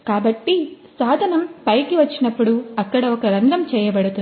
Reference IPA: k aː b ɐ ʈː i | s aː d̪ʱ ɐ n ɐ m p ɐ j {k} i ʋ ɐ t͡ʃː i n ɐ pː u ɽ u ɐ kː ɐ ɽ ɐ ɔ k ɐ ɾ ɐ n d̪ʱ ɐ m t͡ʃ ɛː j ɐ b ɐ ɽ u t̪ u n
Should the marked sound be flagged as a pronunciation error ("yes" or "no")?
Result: no